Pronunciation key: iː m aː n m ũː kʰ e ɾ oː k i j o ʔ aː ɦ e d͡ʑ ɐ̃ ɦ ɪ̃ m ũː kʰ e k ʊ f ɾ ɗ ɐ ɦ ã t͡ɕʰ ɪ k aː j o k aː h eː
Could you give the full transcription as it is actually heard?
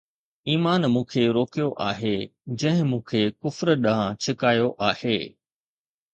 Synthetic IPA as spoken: iː m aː n m ũː kʰ e ɾ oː k i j o ʔ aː ɦ e d͡ʑ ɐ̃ ɦ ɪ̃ m ũː kʰ e k ʊ f ɾ ɗ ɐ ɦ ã t͡ɕʰ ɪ k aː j o ʔ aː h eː